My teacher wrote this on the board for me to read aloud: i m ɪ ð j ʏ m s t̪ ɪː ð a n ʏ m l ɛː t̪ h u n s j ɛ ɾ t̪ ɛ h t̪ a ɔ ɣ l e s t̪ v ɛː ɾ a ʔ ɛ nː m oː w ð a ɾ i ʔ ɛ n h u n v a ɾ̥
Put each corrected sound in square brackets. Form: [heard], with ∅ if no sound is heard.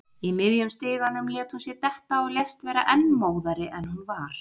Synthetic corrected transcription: i m ɪ ð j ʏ m s t̪ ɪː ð a n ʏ m l ɛː t̪ h u n s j ɛ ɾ t̪ ɛ h t̪ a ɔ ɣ l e s t̪ v ɛː ɾ a ʔ ɛ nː m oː w ð a ɾ [ɪ] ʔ ɛ n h u n v a ɾ̥